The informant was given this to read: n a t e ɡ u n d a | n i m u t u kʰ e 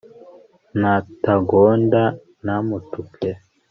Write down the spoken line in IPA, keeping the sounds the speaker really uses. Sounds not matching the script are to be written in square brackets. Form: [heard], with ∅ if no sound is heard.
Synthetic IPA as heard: n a t [a] ɡ [o] n d a | n [a] m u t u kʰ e